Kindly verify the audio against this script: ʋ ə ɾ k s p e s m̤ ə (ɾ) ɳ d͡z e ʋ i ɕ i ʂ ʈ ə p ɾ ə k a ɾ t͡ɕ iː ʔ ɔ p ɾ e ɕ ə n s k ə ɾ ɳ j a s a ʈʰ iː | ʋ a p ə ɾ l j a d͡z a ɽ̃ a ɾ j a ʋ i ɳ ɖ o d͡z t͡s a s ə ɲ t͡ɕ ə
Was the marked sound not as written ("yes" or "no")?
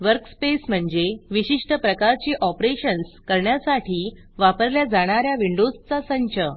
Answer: yes